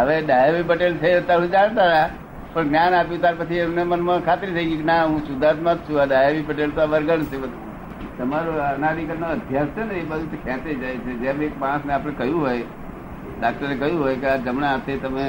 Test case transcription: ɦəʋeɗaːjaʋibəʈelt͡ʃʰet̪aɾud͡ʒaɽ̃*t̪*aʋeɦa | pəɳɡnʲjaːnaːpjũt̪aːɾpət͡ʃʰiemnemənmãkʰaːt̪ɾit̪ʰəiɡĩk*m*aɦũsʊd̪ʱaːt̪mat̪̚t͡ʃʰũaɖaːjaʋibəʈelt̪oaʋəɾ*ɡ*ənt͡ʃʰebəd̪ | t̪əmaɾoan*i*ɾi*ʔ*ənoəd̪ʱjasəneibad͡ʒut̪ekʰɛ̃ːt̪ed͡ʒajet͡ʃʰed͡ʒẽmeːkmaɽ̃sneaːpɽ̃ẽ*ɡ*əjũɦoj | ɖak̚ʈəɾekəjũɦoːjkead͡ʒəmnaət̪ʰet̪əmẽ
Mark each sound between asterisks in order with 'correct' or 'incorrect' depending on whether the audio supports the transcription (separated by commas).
correct, incorrect, correct, incorrect, incorrect, incorrect